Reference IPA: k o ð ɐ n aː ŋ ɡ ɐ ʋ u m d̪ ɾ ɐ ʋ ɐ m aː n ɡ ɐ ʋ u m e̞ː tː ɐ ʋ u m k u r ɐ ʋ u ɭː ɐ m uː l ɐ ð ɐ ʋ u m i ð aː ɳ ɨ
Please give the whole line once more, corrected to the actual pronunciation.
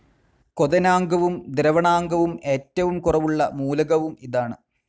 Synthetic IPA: k o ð ɐ n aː ŋ ɡ ɐ ʋ u m d̪ ɾ ɐ ʋ ɐ ɳ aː ŋ ɡ ɐ ʋ u m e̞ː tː ɐ ʋ u m k u r ɐ ʋ u ɭː ɐ m uː l ɐ ɣ ɐ ʋ u m i ð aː ɳ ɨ